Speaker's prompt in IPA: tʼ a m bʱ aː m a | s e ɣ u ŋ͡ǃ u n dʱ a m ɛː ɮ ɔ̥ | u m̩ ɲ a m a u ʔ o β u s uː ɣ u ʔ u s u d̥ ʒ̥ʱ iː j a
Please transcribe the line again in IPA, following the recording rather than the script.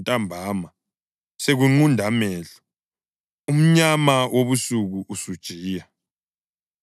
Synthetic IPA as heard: tʼ a m bʱ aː m a | s e ɣ u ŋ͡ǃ u n dʱ a m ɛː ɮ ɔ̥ | u m̩ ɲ a m a w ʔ o β u s u ɣ u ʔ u s u d̥ ʒ̥ʱ iː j a